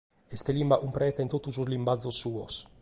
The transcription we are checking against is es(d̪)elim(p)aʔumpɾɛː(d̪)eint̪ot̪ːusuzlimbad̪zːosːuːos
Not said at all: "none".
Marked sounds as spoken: t̪, b, t̪

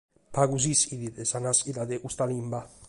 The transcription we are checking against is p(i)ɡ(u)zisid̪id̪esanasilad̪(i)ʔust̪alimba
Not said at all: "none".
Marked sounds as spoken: a, u, e

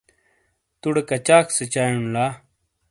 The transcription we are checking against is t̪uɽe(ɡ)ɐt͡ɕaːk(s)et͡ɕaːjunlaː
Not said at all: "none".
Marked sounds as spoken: k, s

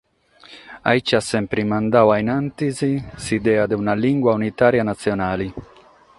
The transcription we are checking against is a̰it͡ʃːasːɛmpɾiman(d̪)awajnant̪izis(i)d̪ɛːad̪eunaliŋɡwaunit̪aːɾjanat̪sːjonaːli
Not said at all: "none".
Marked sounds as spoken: d̪, i

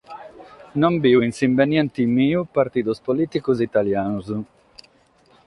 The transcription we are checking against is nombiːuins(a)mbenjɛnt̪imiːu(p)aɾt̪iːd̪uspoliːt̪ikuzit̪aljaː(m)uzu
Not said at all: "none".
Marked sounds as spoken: i, p, n

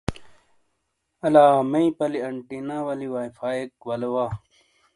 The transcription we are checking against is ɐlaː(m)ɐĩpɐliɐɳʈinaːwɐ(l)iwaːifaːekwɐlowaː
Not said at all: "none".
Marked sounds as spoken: m, l

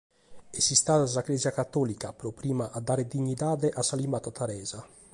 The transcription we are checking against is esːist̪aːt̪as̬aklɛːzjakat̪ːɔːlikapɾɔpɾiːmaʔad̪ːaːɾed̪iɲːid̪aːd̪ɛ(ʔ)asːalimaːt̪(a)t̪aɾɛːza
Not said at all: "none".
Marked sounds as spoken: ʔ, a

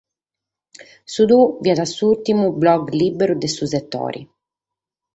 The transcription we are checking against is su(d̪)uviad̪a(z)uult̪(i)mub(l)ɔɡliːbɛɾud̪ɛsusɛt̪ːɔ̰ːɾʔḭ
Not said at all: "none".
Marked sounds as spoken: d̪, s, i, l

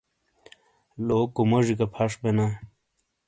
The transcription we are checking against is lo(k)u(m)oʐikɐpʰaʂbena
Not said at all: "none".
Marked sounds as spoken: k, m

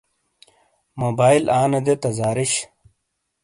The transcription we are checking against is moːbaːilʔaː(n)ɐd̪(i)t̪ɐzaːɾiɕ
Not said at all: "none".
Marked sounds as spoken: n, e

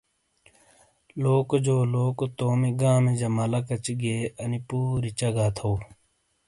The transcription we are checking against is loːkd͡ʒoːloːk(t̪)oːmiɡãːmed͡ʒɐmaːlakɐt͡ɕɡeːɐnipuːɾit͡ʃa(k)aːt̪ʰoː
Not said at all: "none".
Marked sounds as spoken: t̪, ɡ

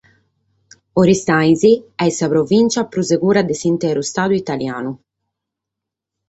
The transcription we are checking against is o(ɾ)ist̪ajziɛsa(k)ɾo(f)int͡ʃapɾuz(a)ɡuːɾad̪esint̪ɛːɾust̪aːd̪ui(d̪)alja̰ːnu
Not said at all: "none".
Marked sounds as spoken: ɾ, p, v, e, t̪

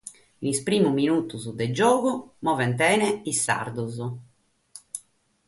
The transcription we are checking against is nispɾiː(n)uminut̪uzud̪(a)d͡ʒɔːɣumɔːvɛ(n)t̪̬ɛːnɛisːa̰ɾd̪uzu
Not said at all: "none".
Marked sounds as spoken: m, ɛ, n

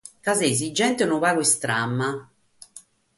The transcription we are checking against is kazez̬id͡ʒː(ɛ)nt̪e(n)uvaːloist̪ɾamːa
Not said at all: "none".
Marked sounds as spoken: ɛ, n

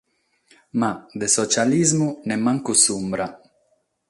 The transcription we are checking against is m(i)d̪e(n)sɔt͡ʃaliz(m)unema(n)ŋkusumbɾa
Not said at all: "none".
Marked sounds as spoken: a, none, m, none

